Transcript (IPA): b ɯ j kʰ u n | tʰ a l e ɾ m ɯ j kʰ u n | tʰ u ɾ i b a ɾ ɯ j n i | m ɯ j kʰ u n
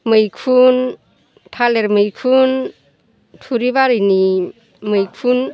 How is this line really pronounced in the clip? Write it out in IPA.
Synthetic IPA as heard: m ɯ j kʰ u n | tʰ a l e ɾ m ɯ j kʰ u n | tʰ u ɾ i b a ɾ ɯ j n i | m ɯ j kʰ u n